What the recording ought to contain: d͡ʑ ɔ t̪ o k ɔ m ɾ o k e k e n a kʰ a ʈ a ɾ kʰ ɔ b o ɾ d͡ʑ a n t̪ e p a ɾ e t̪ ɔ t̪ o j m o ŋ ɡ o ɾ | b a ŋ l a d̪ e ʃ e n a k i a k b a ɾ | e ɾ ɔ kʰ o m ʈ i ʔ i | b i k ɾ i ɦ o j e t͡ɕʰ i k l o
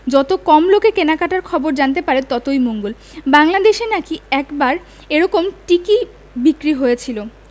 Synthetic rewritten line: d͡ʑ ɔ t̪ o k ɔ m l o k e k e n a k a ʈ a ɾ kʰ ɔ b o ɾ d͡ʑ a n t̪ e p a ɾ e t̪ ɔ t̪ o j m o ŋ ɡ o l | b a ŋ l a d̪ e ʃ e n a k i ɛ k b a ɾ | e ɾ ɔ k o m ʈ i k i | b i k ɾ i ɦ o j e t͡ɕʰ i l o

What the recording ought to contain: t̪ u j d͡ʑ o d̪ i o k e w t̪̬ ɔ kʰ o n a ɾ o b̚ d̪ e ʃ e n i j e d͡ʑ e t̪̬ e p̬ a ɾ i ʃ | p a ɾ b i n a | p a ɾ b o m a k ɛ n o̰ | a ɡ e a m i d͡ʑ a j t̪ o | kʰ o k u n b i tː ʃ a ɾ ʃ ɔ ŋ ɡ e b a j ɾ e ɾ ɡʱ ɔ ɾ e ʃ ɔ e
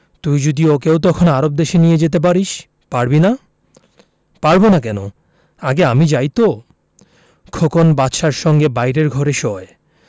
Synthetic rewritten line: t̪ u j d͡ʑ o d̪ i o k e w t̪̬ ɔ kʰ o n a ɾ o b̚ d̪ e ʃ e n i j e d͡ʑ e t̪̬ e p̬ a ɾ i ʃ | p a ɾ b i n a | p a ɾ b o n a k ɛ n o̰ | a ɡ e a m i d͡ʑ a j t̪ o | kʰ o k o n b a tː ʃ a ɾ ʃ ɔ ŋ ɡ e b a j ɾ e ɾ ɡʱ ɔ ɾ e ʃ ɔ e

